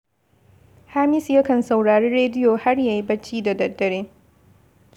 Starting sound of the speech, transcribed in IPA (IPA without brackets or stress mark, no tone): h